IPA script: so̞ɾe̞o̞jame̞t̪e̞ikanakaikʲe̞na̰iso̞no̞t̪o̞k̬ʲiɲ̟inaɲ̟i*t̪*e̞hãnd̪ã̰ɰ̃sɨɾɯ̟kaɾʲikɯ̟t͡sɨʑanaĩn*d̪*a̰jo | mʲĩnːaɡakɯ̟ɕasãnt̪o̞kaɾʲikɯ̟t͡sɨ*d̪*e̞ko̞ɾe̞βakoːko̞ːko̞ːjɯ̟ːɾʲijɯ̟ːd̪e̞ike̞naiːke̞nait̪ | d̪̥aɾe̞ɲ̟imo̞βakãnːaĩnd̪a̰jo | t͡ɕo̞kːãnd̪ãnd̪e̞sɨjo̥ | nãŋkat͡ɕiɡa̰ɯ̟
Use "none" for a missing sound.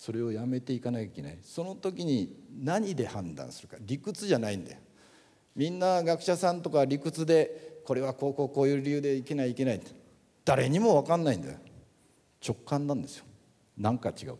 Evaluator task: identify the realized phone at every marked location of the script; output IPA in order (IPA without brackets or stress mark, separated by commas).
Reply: d̪, d̪, d̪